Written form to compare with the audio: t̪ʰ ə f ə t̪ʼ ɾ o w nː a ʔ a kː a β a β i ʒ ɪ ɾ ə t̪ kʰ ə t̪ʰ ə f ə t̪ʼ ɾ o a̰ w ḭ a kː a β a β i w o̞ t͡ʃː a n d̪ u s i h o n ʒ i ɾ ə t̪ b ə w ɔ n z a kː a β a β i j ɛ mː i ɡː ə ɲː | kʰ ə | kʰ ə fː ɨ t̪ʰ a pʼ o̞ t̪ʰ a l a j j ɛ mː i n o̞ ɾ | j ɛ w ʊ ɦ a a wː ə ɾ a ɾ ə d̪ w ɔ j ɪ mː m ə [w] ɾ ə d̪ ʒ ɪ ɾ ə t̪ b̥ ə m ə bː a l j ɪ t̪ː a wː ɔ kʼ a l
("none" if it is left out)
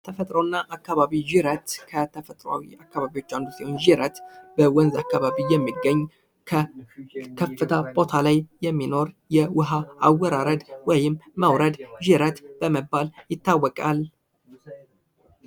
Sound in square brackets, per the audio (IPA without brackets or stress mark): w